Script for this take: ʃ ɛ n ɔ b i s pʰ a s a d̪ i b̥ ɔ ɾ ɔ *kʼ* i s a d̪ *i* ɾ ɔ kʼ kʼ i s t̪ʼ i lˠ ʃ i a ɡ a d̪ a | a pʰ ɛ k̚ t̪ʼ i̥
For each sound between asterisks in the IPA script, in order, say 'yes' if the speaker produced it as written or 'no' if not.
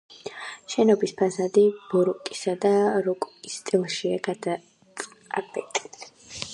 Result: yes, no

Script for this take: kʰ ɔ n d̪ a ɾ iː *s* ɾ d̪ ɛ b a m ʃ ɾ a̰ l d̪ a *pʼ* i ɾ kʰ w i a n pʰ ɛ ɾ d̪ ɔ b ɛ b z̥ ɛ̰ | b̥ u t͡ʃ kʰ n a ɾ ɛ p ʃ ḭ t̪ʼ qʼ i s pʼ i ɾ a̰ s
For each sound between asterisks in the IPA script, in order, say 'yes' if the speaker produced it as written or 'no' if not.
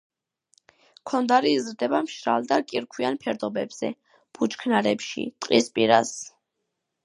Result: no, no

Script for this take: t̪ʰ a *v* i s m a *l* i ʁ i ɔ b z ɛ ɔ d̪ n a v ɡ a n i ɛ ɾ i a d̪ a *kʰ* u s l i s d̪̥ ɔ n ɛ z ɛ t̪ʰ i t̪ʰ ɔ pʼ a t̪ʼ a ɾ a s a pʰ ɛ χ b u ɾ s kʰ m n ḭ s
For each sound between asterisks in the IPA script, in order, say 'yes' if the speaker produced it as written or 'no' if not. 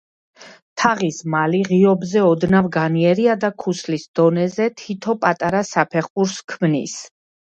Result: no, yes, yes

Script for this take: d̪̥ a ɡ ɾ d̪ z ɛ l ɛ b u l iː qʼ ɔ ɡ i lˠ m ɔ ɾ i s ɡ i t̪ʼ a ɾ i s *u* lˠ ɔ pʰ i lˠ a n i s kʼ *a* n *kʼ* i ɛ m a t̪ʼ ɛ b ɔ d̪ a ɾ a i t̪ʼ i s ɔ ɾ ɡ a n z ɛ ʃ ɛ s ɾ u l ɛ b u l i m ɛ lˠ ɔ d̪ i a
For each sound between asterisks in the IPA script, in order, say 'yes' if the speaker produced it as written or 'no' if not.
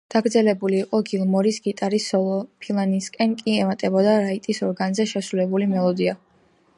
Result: no, no, yes

